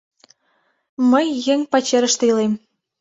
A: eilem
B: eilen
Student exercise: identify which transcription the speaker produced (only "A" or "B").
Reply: A